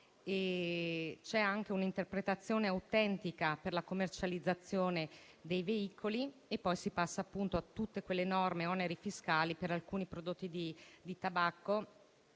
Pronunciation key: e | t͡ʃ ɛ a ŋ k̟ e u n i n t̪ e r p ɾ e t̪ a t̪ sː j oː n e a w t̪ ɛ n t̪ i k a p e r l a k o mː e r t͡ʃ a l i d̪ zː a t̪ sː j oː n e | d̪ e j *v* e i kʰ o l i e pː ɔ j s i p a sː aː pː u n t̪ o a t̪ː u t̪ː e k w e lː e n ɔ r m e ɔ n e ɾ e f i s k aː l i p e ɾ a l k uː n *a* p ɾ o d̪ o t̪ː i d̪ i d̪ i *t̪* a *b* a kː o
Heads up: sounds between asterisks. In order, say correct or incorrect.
correct, incorrect, correct, correct

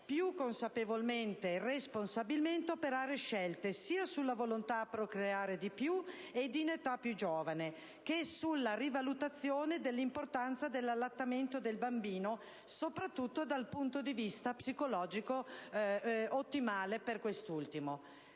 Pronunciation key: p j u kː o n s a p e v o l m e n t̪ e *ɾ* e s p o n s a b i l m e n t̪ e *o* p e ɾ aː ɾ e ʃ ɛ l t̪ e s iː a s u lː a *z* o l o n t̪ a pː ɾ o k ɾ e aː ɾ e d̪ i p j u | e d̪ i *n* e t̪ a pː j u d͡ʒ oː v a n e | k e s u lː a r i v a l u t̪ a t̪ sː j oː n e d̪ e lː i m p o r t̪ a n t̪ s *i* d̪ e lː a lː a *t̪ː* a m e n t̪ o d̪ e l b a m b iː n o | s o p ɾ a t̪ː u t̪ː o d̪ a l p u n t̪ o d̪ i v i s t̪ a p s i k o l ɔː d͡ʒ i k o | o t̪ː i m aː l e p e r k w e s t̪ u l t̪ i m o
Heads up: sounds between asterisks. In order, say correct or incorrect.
incorrect, correct, incorrect, correct, incorrect, correct

